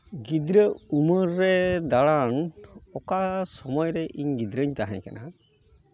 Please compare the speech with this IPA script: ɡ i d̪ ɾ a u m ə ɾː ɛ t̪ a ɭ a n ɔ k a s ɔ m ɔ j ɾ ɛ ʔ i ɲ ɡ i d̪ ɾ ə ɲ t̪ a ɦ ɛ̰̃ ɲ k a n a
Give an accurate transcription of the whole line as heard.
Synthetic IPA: ɡ i d̪ ɾ ə u m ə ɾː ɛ d̪ a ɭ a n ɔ k a s ɔ m ɔ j ɾ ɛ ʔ i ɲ ɡ i d̪ ɾ ə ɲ t̪ a ɦ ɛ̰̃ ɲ k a n a